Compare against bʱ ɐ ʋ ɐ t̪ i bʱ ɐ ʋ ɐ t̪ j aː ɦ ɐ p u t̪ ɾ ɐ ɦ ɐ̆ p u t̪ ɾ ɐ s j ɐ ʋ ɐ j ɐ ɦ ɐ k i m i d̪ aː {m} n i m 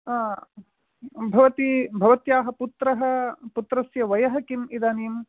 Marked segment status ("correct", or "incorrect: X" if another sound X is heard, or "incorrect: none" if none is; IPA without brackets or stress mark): incorrect: none